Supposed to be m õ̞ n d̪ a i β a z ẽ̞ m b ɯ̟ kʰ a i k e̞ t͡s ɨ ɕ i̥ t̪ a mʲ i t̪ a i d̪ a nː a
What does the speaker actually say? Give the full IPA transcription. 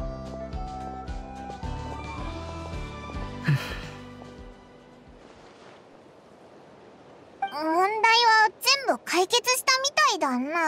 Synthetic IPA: m õ̞ n d̪ a i β a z ẽ̞ m b ɯ̟ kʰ a i k e̞ t͡s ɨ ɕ i̥ t̪ a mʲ i t̪ a i d̪ a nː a